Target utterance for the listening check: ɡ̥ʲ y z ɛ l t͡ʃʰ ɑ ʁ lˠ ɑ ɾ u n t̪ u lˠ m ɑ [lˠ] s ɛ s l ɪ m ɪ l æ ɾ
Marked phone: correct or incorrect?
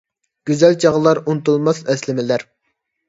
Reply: incorrect